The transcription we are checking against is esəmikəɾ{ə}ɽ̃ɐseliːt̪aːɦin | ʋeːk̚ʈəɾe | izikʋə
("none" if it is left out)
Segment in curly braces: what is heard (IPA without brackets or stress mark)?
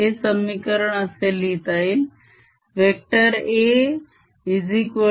ə